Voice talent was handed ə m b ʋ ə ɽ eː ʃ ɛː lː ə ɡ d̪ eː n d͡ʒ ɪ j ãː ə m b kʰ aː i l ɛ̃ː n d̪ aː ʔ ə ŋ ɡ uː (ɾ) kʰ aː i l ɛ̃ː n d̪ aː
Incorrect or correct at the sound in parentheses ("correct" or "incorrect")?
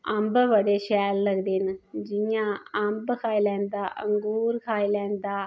correct